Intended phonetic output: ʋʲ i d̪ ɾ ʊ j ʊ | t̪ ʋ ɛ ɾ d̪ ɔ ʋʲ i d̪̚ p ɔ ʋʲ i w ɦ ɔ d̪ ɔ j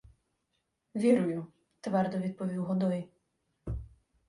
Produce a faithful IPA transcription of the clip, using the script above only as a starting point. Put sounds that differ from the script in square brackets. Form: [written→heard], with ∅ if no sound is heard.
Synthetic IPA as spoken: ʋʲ i [d̪→∅] ɾ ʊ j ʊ | t̪ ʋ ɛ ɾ d̪ ɔ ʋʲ i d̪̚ p ɔ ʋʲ i w ɦ ɔ d̪ ɔ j